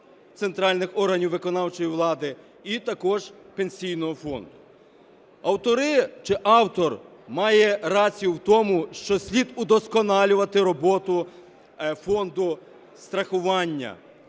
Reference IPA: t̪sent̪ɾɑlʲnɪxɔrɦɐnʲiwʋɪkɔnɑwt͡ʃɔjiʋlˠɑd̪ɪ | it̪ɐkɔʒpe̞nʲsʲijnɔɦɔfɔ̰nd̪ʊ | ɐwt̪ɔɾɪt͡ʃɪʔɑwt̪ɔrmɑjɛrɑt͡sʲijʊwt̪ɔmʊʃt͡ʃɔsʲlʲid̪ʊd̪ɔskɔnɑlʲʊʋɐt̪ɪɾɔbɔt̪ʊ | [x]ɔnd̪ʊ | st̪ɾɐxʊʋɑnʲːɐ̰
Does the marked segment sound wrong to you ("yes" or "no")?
yes